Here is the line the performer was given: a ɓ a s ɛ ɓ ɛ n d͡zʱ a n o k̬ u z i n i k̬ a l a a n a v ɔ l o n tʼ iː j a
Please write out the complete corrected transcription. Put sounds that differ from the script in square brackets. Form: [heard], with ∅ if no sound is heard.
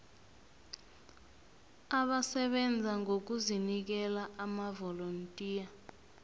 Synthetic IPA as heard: a ɓ a s ɛ ɓ ɛ n d͡zʱ a [ŋ] o k̬ u z i n i k̬ [ɛ] l a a [m] a v ɔ l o n tʼ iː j a